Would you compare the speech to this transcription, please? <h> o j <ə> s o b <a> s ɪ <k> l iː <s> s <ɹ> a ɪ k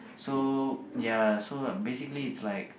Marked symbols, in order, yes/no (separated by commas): no, no, no, yes, no, no